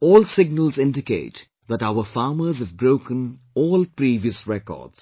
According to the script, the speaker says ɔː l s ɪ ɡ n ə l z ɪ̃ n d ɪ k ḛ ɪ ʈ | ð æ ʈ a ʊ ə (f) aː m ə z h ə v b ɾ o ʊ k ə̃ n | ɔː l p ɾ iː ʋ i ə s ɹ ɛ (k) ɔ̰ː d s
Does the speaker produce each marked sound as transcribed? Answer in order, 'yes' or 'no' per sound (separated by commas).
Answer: yes, yes